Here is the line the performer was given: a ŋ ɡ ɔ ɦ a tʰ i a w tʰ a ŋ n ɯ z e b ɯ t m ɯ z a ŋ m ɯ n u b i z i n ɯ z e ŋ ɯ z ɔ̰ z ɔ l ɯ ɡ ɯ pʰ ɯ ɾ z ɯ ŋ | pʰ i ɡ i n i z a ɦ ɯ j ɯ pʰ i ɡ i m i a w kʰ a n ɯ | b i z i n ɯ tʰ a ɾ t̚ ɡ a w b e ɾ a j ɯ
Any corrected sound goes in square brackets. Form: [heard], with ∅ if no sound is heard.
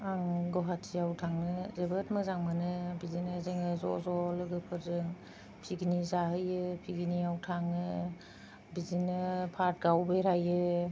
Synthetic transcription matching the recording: a ŋ ɡ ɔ ɦ a tʰ i a w tʰ a ŋ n ɯ z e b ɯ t m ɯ z a ŋ m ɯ n [ɯ] b i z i n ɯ z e ŋ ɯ z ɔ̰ z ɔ l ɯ ɡ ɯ pʰ ɯ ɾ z ɯ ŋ | pʰ i ɡ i n i z a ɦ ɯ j ɯ pʰ i ɡ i [n] i a w [tʰ] a [ŋ] ɯ | b i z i n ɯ [pʰ] a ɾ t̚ ɡ a w b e ɾ a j ɯ

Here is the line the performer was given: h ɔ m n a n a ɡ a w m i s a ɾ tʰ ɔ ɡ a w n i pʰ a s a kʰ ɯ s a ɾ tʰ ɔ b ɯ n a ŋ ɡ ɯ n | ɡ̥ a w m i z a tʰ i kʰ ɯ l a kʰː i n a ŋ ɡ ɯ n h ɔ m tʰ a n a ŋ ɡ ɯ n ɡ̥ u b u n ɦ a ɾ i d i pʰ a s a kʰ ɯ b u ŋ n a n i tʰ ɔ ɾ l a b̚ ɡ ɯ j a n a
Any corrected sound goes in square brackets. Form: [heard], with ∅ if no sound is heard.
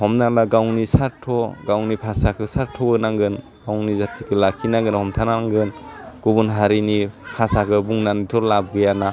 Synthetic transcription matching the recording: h ɔ m n a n a ɡ a w [n] i s a ɾ tʰ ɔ ɡ a w n i pʰ a s a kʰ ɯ s a ɾ tʰ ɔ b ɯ n a ŋ ɡ ɯ n | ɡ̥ a w [n] i z a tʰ i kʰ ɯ l a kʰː i n a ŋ ɡ ɯ n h ɔ m tʰ a n a ŋ ɡ ɯ n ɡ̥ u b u n ɦ a ɾ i [n] i pʰ a s a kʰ ɯ b u ŋ n a n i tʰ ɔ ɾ l a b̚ ɡ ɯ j a n a

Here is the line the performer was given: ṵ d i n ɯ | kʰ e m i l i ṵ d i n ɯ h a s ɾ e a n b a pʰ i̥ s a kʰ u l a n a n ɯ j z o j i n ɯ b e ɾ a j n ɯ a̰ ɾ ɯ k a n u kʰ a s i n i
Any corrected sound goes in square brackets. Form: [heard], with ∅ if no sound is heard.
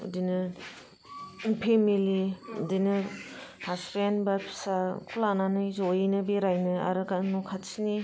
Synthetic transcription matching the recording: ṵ d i n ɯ | [pʰ] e m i l i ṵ d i n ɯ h a s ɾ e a n b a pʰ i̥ s a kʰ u l a n a n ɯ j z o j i n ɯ b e ɾ a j n ɯ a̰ ɾ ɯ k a n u kʰ a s i n i

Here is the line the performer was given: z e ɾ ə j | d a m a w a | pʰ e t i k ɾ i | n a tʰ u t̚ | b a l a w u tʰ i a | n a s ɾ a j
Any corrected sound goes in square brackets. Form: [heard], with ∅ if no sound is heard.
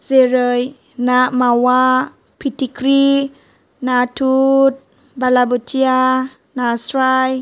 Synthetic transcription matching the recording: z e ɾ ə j | [n] a m a w a | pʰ [i] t i k ɾ i | n a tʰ u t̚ | b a l a [b] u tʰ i a | n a s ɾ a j

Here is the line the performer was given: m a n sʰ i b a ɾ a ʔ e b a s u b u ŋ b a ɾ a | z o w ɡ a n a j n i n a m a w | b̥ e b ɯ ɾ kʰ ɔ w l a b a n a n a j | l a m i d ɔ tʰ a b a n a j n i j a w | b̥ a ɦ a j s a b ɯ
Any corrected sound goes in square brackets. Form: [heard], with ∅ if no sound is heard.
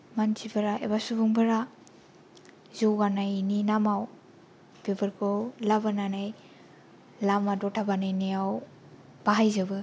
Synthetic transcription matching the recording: m a n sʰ i b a ɾ a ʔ e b a s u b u ŋ b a ɾ a | z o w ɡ a n a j n i n a m a w | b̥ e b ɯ ɾ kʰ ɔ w l a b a n a n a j | l a m [a] d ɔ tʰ a b a n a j n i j a w | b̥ a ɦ a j [z] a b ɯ

